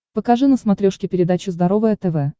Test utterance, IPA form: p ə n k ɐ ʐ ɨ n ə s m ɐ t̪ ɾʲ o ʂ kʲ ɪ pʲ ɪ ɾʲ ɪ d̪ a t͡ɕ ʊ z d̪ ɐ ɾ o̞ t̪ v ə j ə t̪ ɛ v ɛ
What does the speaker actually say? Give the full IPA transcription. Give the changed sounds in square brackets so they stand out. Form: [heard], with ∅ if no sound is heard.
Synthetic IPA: p ə [∅] k ɐ ʐ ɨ n ə s m ɐ t̪ ɾʲ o ʂ kʲ ɪ pʲ ɪ ɾʲ ɪ d̪ a t͡ɕ ʊ z d̪ ɐ ɾ o̞ [∅] v ə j ə t̪ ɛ v ɛ

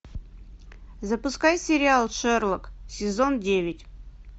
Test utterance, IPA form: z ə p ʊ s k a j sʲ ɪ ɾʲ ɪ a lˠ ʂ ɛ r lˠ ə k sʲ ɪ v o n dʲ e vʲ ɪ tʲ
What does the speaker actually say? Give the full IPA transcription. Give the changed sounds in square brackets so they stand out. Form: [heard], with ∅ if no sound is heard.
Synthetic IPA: z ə p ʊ s k a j sʲ ɪ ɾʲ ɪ a lˠ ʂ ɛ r lˠ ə k sʲ ɪ [z] o n dʲ e vʲ ɪ tʲ

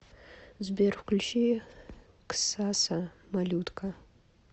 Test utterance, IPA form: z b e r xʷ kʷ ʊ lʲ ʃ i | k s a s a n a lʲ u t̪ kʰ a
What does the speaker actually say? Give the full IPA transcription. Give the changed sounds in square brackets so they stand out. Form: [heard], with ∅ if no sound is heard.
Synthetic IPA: z b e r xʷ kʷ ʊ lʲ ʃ i | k s a s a [m] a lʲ u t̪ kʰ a

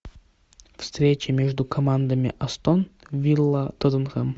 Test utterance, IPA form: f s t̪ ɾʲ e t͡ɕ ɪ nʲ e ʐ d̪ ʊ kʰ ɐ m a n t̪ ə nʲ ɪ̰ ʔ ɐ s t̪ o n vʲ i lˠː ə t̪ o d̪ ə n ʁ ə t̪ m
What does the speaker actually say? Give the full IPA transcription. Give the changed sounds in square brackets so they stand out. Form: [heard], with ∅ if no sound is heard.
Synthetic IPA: f s t̪ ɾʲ e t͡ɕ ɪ [mʲ] e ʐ d̪ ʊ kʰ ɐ m a n [d̪] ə [mʲ] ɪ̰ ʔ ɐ s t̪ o n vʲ i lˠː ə t̪ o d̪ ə n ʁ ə [∅] m

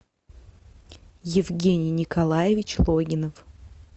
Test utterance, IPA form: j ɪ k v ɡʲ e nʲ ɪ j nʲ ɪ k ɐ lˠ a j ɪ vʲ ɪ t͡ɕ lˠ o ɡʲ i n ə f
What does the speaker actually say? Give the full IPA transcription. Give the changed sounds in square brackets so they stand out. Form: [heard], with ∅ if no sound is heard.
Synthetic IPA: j ɪ [∅] v ɡʲ e nʲ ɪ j nʲ ɪ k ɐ lˠ a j ɪ vʲ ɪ t͡ɕ lˠ o ɡʲ [ɪ] n ə f

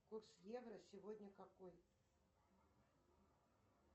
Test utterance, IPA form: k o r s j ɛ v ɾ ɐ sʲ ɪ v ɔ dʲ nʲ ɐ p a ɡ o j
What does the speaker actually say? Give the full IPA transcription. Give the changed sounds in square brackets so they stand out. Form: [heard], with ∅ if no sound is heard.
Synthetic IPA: k [u] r s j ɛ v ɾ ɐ sʲ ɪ v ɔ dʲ nʲ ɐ [k] a [k] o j

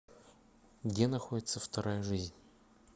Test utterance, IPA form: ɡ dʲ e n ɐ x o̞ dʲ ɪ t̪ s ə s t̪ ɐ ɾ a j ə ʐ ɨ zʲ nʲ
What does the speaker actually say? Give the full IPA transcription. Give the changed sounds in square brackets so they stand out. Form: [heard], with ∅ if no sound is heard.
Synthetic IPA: ɡ dʲ e n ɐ x o̞ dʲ ɪ t̪ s ə [f] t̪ ɐ ɾ a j ə ʐ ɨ zʲ nʲ

